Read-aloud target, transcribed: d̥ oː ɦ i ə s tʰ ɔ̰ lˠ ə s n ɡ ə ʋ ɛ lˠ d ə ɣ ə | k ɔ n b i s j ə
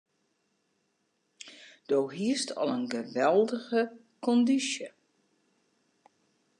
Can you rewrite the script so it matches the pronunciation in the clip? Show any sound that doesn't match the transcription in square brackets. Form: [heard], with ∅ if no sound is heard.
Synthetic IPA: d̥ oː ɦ i ə s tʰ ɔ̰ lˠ ə [∅] n ɡ ə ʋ ɛ lˠ d ə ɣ ə | k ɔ n [d] i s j ə